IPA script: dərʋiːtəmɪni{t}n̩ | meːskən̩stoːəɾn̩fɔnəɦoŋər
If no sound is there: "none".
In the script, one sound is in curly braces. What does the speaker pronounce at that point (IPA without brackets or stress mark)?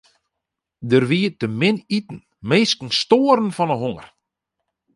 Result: t